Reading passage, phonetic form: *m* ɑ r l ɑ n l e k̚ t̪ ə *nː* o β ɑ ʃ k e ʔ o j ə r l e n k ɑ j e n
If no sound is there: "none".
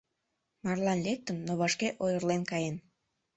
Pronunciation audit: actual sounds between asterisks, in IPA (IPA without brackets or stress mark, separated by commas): m, nː